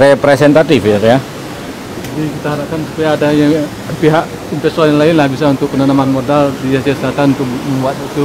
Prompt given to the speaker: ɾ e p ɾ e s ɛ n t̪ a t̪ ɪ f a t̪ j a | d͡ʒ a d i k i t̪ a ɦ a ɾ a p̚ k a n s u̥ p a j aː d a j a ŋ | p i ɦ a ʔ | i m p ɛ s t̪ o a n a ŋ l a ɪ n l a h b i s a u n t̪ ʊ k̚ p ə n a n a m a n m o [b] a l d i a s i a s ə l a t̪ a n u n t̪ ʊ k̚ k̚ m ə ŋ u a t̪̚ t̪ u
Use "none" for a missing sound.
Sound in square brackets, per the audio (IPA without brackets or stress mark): d